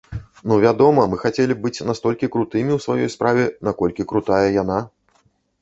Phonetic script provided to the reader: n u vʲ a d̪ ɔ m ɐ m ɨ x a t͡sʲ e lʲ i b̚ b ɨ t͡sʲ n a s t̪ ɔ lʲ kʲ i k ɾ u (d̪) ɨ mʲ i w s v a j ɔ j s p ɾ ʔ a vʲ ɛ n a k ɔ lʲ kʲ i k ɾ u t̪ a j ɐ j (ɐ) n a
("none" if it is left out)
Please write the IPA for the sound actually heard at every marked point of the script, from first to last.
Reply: t̪, a

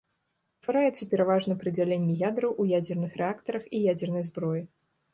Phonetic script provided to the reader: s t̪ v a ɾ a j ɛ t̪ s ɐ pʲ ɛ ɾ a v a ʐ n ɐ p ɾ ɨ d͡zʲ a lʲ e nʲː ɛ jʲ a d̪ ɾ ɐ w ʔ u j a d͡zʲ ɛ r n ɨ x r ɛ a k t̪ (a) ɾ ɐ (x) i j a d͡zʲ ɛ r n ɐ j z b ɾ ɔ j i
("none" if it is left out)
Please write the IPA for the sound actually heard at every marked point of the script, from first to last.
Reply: ɐ, x

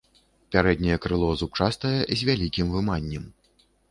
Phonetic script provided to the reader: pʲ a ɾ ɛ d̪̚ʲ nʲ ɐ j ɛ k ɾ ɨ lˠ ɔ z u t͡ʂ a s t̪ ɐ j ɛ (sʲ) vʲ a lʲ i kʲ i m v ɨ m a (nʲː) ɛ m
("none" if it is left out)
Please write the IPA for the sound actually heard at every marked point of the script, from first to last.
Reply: zʲ, nʲː

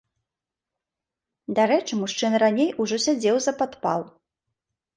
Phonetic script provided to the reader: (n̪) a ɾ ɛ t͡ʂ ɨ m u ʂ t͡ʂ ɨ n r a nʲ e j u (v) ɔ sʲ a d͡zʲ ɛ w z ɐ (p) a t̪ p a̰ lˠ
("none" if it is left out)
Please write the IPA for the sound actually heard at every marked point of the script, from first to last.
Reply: d̪, ʐ, p

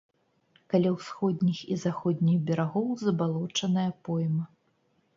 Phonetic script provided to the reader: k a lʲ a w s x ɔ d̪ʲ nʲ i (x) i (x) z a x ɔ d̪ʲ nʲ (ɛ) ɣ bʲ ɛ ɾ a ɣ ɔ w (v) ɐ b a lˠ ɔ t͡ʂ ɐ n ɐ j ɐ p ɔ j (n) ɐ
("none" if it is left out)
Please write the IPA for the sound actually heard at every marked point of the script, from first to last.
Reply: x, none, i, z, m

